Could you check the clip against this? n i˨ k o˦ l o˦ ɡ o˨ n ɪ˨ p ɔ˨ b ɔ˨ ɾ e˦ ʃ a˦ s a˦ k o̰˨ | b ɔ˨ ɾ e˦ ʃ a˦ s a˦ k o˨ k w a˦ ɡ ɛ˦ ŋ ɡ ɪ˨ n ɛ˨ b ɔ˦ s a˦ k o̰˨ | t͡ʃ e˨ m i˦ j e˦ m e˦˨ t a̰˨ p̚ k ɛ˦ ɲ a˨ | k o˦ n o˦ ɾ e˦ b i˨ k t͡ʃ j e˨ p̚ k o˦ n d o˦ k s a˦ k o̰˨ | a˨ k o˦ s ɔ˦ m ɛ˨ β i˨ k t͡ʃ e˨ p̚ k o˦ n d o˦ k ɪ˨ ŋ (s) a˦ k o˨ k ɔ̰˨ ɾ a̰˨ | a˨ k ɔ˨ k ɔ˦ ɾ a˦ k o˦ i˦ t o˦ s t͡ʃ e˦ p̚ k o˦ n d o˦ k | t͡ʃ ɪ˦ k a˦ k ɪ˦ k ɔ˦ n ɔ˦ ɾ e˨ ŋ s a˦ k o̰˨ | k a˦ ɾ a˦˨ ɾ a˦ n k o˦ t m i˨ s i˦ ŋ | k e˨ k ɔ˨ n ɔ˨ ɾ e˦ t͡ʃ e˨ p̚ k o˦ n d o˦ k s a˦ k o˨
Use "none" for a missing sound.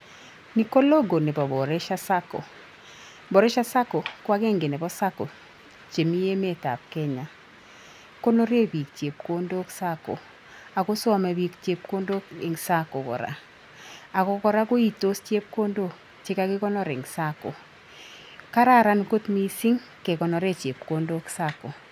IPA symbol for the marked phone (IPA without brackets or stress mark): s